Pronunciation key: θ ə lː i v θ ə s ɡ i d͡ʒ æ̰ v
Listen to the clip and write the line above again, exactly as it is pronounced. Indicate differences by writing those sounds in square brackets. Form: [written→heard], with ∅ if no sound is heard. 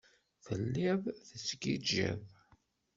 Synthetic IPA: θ ə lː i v θ ə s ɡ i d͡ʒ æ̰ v